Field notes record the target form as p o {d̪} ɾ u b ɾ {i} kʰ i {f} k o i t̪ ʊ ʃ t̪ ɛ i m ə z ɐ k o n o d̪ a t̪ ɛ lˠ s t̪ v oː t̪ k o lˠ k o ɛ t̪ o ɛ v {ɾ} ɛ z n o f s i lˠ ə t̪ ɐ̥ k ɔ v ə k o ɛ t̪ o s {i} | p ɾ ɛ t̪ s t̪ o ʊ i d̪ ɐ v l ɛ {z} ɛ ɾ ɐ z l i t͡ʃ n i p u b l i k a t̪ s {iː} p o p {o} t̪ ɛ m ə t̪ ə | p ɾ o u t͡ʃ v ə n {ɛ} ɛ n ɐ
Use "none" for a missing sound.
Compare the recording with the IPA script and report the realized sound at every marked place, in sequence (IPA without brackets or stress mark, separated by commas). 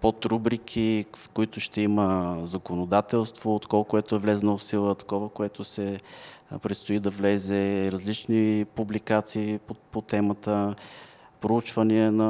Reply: t̪, i, f, l, ɛ, z, iː, o, i